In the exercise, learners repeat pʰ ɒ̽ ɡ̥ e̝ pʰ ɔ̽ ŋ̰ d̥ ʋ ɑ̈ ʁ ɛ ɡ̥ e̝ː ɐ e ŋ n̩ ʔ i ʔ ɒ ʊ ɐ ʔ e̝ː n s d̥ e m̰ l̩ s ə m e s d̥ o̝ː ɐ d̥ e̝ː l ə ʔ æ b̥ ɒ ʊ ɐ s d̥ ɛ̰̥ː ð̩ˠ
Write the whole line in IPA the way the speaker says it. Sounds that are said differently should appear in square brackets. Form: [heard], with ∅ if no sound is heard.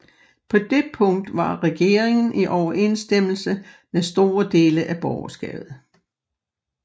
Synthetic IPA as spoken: pʰ ɒ̽ [d̥] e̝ pʰ ɔ̽ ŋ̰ d̥ ʋ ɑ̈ ʁ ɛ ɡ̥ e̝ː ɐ e ŋ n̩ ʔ i ʔ ɒ ʊ ɐ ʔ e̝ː n s d̥ e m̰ l̩ s ə m e s d̥ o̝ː ɐ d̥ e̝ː l ə ʔ æ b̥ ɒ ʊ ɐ s [ɡ̥] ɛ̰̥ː ð̩ˠ